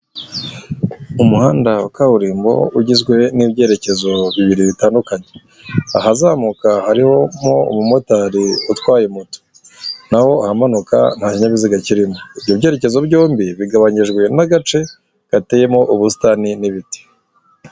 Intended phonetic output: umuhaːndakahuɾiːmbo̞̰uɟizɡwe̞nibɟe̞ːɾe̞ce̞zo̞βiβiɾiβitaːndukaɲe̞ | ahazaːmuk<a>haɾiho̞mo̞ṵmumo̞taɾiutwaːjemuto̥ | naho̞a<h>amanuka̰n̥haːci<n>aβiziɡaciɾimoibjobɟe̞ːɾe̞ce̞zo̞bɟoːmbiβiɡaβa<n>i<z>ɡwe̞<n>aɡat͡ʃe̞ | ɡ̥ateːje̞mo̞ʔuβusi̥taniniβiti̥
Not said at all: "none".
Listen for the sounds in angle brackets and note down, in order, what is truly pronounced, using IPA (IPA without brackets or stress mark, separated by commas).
a, h, ɲ, ɲ, ʒ, n